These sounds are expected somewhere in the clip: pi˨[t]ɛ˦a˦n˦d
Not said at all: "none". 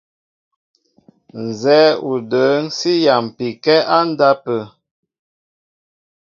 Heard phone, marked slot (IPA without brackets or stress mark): k